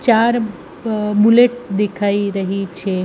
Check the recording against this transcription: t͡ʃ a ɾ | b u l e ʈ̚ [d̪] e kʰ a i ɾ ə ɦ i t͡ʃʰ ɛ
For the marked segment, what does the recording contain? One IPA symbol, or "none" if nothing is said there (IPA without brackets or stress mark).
d̪